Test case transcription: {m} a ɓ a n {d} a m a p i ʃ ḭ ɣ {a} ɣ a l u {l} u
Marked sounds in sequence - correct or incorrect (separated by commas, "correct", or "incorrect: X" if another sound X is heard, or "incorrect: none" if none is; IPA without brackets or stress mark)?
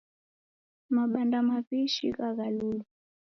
correct, correct, correct, correct